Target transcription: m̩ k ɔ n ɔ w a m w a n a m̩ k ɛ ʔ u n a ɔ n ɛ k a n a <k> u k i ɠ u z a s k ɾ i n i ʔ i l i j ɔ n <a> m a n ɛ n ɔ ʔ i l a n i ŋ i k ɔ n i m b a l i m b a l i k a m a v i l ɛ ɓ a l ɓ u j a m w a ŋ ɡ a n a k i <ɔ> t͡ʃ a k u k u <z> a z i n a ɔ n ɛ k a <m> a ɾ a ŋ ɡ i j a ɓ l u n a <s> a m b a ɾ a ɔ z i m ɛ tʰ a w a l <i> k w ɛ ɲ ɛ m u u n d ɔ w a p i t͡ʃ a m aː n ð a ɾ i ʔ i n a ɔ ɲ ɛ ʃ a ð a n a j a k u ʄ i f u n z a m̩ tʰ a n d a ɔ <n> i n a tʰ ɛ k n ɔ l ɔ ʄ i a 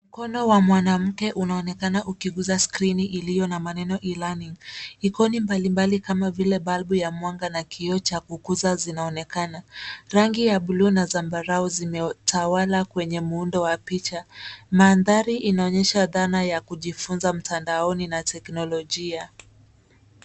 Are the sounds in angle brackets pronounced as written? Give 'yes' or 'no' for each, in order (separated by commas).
no, yes, yes, yes, no, no, no, yes